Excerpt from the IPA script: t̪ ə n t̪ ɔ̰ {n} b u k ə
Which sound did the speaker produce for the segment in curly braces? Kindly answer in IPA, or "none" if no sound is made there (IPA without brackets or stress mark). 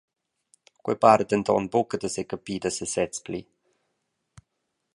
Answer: n